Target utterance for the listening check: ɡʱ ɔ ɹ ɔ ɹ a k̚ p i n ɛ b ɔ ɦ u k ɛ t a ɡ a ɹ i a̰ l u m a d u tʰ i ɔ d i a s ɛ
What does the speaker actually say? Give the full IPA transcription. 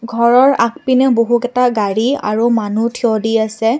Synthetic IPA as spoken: ɡʱ ɔ ɹ ɔ ɹ a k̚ p i n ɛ b o ɦ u k ɛ t a ɡ a ɹ i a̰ ɹ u m a n u tʰ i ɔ d i a s ɛ